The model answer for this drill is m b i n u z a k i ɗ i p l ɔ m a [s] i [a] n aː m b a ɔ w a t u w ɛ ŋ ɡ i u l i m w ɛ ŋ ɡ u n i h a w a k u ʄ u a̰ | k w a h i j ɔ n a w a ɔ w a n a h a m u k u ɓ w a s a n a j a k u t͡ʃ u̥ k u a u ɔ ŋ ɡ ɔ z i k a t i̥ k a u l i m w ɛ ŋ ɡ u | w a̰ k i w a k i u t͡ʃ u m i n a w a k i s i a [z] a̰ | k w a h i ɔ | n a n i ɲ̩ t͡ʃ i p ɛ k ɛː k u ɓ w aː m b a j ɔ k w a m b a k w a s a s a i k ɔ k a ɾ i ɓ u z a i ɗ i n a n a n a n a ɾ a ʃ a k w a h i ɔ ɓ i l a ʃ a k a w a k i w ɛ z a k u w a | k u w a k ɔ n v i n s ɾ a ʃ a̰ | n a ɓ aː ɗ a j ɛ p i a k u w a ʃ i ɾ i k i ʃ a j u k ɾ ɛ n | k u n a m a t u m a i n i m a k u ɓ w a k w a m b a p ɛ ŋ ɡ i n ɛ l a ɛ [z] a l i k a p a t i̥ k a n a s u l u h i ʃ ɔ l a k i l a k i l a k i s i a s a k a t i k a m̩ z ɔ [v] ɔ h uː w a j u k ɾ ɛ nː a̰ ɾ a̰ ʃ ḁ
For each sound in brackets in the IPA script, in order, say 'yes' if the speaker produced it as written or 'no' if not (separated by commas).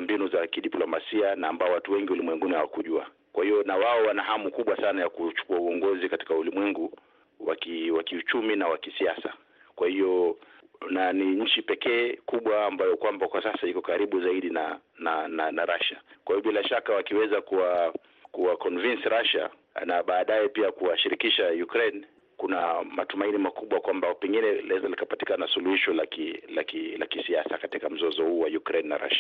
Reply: yes, yes, no, yes, no